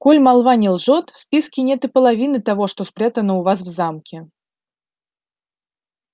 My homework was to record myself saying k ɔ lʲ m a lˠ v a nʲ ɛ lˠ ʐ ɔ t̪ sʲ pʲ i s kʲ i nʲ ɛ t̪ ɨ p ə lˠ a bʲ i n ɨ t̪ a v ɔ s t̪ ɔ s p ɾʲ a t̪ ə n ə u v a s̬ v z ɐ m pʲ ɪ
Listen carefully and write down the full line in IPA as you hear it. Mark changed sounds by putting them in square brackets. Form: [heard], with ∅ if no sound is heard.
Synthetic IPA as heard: k ɔ lʲ m a lˠ v a nʲ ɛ lˠ ʐ ɔ t̪ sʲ pʲ i s kʲ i nʲ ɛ t̪ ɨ p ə lˠ a [vʲ] i n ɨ t̪ a v ɔ [ʂ] t̪ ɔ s p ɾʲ a t̪ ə n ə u v a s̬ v z [a] m [kʲ] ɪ